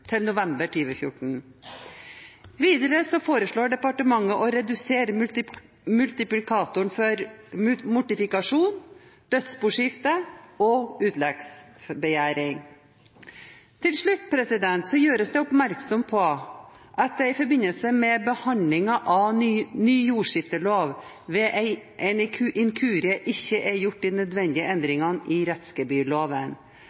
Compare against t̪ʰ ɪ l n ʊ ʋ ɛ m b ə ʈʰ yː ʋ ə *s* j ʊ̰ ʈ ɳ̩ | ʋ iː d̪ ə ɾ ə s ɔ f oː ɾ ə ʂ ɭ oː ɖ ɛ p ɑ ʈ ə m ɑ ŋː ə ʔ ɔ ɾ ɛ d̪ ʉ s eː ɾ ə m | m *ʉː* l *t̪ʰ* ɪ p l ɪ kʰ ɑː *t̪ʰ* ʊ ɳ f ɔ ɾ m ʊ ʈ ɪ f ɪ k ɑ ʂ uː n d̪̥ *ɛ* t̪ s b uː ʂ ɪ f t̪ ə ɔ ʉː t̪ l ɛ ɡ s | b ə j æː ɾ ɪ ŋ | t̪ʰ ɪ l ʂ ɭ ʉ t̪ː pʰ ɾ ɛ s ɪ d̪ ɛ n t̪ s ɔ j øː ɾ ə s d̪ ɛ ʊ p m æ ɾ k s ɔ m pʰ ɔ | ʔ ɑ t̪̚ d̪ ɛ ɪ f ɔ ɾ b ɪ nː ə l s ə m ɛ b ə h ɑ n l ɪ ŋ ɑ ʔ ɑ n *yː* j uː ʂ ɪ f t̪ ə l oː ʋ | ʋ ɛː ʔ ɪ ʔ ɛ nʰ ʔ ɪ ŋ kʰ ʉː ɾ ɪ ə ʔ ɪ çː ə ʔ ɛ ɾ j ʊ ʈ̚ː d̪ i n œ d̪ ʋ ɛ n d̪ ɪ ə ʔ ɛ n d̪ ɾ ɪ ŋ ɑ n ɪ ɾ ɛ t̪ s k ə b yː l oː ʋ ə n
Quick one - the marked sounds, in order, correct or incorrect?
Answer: incorrect, incorrect, incorrect, incorrect, incorrect, correct

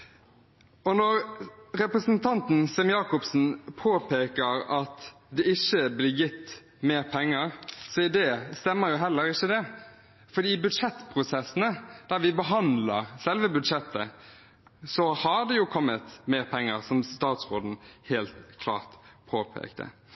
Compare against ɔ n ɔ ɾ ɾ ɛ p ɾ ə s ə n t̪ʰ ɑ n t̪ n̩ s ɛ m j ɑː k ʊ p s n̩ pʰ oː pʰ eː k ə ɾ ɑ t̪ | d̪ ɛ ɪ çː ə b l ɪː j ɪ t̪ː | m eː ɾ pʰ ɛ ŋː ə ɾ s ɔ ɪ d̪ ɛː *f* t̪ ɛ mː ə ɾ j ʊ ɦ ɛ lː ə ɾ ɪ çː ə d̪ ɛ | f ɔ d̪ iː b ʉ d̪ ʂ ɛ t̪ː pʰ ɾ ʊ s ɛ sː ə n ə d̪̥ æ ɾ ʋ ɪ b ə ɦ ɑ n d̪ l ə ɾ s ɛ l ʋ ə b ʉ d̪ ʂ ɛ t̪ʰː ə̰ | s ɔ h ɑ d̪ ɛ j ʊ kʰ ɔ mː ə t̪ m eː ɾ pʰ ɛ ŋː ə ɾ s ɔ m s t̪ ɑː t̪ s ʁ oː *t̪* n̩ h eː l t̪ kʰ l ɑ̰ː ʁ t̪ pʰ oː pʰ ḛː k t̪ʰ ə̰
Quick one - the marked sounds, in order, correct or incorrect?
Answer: incorrect, incorrect

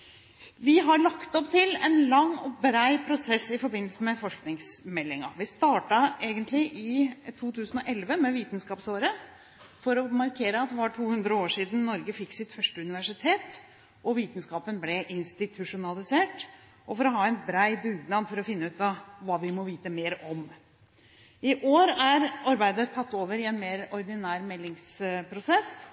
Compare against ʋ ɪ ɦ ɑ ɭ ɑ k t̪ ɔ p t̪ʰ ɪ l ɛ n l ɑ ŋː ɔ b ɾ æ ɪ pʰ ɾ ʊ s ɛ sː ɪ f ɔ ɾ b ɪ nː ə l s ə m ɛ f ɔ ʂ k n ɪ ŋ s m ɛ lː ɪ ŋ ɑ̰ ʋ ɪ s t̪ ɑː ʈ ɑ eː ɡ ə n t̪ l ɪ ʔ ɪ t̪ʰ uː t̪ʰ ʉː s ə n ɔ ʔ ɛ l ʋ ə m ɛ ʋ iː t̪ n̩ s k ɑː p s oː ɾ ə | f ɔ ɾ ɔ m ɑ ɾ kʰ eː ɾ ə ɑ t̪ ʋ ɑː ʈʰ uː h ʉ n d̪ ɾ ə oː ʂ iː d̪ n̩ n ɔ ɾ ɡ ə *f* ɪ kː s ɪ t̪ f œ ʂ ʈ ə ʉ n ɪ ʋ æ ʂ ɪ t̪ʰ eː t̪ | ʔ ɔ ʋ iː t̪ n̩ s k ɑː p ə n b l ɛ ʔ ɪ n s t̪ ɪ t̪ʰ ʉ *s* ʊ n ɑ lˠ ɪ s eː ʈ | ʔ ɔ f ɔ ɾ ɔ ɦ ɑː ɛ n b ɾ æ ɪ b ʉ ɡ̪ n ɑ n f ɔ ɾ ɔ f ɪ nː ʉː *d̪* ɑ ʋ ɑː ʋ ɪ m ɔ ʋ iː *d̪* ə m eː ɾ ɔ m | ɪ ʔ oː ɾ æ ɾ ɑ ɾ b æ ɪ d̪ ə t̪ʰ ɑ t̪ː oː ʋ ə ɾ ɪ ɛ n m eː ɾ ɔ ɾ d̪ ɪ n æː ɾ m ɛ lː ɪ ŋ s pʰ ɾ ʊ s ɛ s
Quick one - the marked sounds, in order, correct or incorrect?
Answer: correct, incorrect, incorrect, incorrect

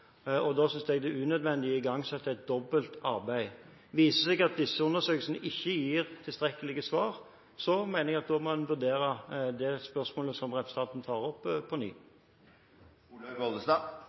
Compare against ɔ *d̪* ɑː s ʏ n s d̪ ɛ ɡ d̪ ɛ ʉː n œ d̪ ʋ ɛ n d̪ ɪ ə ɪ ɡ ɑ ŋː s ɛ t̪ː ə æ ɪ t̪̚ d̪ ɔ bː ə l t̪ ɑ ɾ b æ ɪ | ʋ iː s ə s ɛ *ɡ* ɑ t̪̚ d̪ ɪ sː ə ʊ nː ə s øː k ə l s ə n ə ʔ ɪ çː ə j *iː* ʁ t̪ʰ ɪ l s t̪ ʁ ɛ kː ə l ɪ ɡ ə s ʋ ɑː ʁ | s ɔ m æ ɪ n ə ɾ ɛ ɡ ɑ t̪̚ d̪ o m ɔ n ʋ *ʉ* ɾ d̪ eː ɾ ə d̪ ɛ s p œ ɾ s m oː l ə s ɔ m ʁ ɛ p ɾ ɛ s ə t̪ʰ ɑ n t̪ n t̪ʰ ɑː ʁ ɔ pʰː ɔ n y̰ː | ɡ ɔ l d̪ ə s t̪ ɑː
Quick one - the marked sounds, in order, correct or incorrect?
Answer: correct, correct, correct, correct

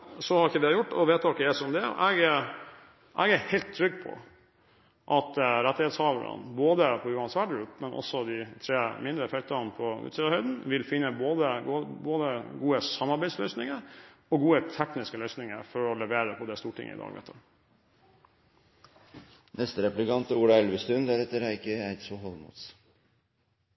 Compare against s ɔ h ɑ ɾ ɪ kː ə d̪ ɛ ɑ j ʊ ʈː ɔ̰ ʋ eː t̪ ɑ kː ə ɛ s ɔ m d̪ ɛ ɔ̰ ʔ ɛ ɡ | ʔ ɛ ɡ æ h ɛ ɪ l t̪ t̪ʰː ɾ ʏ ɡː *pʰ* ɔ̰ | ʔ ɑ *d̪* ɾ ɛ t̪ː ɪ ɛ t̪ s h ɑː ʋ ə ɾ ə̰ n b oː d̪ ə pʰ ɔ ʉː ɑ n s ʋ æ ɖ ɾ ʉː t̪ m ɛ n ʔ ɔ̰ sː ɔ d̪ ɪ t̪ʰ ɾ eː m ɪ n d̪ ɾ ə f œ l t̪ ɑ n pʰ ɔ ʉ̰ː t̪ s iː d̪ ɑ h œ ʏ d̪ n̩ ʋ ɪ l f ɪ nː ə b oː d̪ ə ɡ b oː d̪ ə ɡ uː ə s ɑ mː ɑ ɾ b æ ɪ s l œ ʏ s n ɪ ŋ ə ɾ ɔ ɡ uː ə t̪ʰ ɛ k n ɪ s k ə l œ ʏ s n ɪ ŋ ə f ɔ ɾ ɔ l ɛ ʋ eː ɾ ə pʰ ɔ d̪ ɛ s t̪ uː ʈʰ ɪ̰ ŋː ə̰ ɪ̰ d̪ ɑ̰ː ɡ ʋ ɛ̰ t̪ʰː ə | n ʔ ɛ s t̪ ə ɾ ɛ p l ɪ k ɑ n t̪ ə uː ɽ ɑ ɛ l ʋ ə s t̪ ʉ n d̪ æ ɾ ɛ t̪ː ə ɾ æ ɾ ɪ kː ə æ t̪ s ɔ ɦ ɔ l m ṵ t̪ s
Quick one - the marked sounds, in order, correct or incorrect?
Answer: correct, incorrect

